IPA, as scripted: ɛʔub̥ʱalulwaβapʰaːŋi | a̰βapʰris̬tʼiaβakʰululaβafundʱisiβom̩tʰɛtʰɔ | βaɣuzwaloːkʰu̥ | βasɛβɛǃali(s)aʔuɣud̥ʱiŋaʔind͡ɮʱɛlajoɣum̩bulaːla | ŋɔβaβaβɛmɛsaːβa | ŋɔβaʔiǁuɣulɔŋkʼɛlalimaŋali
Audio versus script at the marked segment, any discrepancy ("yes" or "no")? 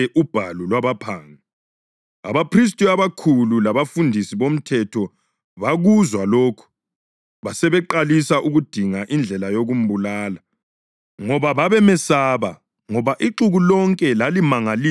no